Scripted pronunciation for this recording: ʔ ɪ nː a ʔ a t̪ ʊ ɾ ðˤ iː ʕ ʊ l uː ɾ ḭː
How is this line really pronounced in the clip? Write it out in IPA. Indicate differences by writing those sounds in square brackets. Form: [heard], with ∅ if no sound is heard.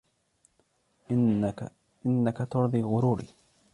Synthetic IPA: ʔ ɪ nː a [k] a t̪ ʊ ɾ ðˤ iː [ɣ] ʊ [ɾ] uː ɾ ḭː